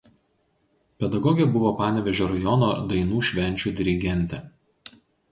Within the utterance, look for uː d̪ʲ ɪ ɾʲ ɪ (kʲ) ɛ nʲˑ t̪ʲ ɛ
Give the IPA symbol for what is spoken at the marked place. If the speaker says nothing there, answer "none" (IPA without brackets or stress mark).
ɡʲ